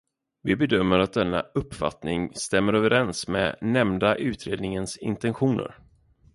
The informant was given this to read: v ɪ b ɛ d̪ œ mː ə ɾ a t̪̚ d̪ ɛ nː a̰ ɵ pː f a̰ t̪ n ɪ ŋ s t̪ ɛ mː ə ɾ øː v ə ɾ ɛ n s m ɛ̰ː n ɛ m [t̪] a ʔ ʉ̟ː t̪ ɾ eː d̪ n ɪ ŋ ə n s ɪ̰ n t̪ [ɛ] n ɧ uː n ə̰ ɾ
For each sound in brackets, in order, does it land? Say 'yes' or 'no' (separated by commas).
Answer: no, yes